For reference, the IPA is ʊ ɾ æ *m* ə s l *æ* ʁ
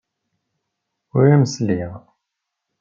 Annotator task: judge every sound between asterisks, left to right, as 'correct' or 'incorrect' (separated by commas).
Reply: correct, incorrect